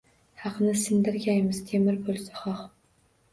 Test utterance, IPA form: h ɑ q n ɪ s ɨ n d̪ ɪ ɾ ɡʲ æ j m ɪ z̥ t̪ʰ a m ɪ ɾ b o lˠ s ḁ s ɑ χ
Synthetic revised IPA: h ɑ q n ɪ s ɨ n d̪ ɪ ɾ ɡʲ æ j m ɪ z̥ t̪ʰ e m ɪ ɾ b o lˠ s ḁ χ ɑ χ